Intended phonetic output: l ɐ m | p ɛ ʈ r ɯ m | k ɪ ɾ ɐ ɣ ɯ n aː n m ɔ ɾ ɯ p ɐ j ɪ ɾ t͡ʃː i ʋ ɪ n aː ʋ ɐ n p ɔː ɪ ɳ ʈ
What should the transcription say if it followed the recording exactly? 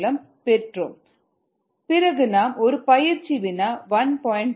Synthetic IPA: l ɐ m | p ɛ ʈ r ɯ m | p ɪ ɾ ɐ ɣ ɯ n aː m ɔ ɾ ɯ p ɐ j ɪ ɾ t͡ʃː i ʋ ɪ n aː ʋ ɐ n p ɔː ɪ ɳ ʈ